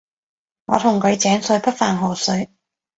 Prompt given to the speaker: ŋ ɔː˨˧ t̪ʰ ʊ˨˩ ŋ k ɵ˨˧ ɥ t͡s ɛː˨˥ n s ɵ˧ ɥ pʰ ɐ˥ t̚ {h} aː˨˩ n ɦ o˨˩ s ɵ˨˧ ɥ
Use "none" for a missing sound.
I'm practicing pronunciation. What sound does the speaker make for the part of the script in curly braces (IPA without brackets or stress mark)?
f